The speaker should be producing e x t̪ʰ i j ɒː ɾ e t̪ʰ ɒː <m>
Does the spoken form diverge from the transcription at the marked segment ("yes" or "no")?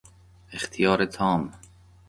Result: no